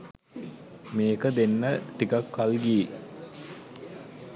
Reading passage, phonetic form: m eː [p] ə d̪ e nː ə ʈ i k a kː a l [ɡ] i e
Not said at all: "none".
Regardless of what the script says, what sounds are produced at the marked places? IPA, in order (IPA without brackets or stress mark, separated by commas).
k, ɡ